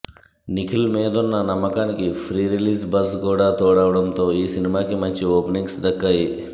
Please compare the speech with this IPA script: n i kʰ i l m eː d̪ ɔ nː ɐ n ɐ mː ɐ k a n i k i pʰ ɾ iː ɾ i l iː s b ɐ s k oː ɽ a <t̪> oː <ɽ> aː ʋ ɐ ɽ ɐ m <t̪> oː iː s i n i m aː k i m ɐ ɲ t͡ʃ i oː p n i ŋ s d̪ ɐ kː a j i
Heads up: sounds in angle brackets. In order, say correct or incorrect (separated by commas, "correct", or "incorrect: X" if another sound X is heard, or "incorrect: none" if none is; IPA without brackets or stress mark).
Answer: correct, correct, correct